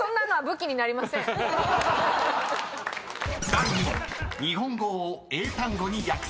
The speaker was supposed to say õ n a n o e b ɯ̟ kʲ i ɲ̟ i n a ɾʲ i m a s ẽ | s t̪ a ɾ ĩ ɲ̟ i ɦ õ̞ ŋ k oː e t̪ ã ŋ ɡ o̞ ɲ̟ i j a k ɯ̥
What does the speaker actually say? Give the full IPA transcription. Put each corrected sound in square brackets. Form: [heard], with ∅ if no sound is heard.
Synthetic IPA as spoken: õ [nː] a n o [a] b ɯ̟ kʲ i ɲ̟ i n a ɾʲ i m a s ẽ | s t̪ a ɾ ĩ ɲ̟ i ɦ õ̞ ŋ [ɡ] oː e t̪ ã ŋ ɡ o̞ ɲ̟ i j a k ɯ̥